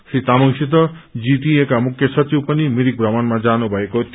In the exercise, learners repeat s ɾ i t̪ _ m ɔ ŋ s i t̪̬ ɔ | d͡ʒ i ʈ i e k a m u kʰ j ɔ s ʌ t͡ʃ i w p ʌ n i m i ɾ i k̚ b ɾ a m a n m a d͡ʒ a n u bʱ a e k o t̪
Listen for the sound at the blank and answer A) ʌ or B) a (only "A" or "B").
B